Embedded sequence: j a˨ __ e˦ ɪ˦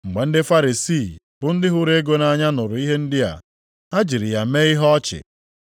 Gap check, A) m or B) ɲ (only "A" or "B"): A